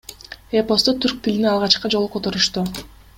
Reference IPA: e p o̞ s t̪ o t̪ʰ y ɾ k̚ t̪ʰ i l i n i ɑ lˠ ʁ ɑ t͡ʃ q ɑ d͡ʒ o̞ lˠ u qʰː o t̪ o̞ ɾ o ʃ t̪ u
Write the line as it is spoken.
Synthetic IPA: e p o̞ s t̪ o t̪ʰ y ɾ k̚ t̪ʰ i l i n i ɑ lˠ ʁ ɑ t͡ʃ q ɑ d͡ʒ o̞ lˠ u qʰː o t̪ o̞ ɾ u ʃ t̪ u